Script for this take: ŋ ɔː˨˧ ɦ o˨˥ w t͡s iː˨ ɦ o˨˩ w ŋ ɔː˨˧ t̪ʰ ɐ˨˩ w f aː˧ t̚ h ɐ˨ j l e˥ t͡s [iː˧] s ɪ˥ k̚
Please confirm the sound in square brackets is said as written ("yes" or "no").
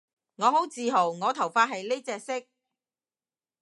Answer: no